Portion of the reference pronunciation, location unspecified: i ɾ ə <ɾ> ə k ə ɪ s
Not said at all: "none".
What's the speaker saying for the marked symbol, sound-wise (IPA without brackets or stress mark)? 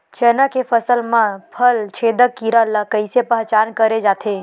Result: l